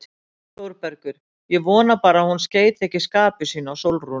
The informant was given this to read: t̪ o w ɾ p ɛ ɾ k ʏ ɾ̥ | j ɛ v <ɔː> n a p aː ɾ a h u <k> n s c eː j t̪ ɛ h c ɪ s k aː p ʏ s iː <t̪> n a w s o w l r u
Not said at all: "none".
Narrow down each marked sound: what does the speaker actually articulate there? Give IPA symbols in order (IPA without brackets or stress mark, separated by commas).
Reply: ɔː, none, none